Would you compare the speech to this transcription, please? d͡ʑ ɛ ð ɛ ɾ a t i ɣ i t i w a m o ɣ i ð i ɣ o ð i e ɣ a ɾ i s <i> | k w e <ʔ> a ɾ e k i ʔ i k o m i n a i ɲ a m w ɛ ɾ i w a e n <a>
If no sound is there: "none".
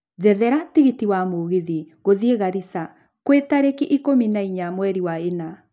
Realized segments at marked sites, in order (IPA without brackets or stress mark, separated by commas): a, t, a